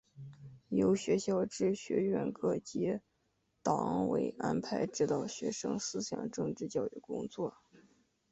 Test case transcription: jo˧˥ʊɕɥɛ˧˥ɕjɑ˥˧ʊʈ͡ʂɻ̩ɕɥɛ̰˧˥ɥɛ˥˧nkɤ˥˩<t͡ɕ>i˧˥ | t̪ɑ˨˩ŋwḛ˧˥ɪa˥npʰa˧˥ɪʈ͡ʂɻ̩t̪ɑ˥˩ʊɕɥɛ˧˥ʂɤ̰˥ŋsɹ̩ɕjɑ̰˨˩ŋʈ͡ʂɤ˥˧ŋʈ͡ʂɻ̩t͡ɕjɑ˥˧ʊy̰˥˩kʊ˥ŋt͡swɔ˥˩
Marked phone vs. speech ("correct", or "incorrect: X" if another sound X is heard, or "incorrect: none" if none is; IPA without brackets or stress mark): correct